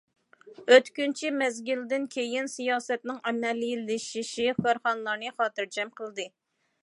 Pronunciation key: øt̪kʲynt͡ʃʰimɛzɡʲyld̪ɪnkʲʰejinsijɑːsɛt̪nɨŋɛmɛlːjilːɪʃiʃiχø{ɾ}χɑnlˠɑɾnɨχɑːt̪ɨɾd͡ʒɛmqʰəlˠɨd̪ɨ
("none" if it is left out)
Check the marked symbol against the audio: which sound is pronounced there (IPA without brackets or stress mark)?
ɾ